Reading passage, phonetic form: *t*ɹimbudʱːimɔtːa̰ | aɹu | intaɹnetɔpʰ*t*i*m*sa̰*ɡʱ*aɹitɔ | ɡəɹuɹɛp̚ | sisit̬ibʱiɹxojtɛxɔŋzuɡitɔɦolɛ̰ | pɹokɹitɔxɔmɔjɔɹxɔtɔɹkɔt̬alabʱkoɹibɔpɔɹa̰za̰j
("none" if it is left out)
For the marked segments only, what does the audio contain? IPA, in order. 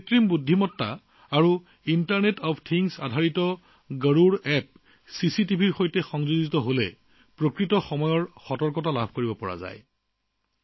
t, tʰ, ŋ, dʱ

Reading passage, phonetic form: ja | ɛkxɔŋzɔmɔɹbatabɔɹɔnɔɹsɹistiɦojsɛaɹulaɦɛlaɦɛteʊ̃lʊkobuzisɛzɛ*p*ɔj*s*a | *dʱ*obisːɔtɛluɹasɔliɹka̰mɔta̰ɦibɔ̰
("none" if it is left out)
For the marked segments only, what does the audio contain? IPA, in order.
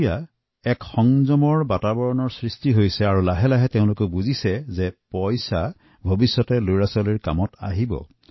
p, s, bʱ

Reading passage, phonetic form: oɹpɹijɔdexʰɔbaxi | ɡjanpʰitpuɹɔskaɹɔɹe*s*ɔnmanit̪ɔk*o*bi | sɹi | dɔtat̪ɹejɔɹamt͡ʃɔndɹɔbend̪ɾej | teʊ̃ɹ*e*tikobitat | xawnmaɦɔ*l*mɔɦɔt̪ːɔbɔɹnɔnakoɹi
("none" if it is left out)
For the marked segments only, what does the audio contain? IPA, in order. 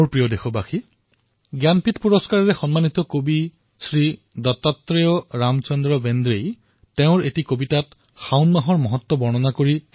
x, o, e, ɹ

